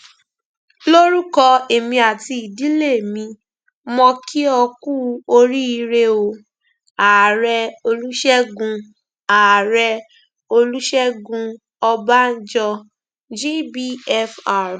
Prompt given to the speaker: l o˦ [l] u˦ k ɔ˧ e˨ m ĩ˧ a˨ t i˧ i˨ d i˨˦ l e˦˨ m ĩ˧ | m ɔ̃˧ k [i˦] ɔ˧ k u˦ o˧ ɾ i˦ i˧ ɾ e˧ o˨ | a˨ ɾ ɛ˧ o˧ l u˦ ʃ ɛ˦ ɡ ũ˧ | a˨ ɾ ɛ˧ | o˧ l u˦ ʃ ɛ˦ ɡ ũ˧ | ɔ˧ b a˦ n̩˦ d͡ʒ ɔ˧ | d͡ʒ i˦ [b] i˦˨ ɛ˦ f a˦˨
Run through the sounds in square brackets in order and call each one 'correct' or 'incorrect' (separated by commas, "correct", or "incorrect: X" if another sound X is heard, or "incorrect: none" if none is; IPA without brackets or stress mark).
incorrect: ɾ, correct, correct